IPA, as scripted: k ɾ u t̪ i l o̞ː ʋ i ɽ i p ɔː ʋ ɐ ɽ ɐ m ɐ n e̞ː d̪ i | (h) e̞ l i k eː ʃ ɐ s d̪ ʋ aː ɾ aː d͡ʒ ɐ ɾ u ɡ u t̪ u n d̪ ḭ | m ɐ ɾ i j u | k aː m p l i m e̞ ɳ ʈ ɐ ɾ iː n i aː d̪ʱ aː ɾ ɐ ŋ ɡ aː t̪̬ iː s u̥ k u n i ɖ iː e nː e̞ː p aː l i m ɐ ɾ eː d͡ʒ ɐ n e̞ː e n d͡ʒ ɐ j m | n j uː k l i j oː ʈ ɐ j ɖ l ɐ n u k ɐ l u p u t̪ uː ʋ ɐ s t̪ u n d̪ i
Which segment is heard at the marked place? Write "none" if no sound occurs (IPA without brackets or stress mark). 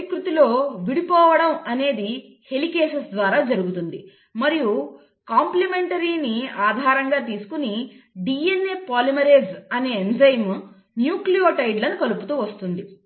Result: h